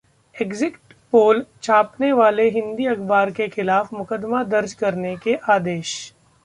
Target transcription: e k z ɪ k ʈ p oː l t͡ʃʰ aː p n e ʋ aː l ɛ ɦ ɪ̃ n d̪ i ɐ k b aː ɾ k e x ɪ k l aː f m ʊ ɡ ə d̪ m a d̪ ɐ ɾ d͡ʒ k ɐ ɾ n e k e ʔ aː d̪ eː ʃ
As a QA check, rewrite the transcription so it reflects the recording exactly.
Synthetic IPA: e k z ɪ k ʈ p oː l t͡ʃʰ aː p n e ʋ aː l e ɦ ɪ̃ n d̪ i ɐ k b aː ɾ k e x ɪ l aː f m ʊ k ə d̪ m a d̪ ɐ ɾ d͡ʒ k ɐ ɾ n e k e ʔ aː d̪ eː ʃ